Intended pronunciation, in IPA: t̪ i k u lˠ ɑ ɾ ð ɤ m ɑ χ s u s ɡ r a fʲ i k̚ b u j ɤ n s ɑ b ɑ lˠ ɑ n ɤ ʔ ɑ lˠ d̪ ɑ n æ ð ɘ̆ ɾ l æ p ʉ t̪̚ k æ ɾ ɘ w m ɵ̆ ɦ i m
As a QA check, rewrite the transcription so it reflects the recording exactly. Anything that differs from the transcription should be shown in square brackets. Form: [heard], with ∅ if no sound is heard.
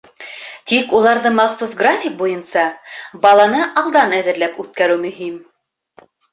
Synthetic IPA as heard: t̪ i k u lˠ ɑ ɾ ð ɤ m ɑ χ s u s ɡ r a fʲ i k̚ b u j ɤ n s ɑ b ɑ lˠ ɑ n ɤ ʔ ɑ lˠ d̪ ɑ n æ ð ɘ̆ ɾ l æ p ʉ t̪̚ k æ ɾ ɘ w m ɵ̆ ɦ i m